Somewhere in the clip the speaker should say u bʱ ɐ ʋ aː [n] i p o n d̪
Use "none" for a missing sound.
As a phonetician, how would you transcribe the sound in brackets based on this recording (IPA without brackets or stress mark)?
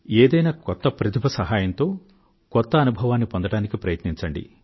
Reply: nː